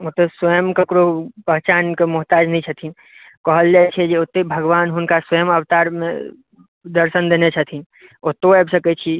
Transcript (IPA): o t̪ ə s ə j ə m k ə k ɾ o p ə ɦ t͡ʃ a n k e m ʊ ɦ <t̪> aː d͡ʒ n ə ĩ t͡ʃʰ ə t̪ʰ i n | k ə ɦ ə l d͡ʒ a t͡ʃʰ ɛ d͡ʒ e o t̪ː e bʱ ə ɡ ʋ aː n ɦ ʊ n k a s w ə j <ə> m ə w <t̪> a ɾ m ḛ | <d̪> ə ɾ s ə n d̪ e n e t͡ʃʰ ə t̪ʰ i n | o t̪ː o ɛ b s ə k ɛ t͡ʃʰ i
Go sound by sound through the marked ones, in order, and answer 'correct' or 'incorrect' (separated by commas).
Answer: correct, correct, correct, correct